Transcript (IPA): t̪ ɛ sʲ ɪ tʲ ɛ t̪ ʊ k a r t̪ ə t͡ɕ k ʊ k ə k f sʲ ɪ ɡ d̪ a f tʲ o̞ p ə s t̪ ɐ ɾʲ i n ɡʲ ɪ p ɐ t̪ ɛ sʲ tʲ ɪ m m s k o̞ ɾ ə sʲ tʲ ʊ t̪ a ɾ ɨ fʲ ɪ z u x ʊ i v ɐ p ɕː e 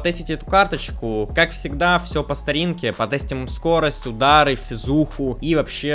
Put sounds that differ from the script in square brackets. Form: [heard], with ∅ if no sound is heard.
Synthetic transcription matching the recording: t̪ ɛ sʲ ɪ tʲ ɛ t̪ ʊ k a r t̪ ə t͡ɕ k ʊ k [a] k f sʲ ɪ ɡ d̪ a f [sʲ] o̞ p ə s t̪ ɐ ɾʲ i n [kʲ] ɪ p ɐ t̪ ɛ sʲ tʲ ɪ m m s k o̞ ɾ ə sʲ tʲ ʊ [d̪] a ɾ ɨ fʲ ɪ z u x ʊ i v ɐ p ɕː e